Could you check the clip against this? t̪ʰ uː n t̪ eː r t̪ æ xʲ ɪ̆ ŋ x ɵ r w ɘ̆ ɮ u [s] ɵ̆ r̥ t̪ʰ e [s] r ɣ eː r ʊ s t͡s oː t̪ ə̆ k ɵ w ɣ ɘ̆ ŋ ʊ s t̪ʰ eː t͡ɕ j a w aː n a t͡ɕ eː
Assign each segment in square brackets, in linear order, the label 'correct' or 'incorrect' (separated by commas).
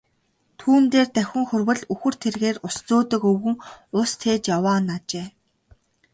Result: incorrect, incorrect